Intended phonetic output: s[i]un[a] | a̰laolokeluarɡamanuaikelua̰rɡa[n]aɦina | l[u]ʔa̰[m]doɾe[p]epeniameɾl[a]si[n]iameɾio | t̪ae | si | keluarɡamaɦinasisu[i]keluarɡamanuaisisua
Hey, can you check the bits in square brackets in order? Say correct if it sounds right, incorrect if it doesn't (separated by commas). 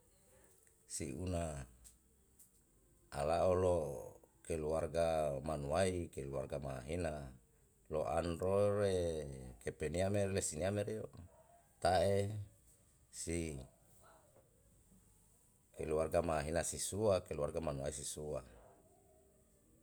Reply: correct, correct, incorrect, incorrect, incorrect, incorrect, incorrect, correct, incorrect